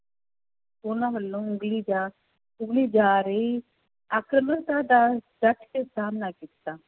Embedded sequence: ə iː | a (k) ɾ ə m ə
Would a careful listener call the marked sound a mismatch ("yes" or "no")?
no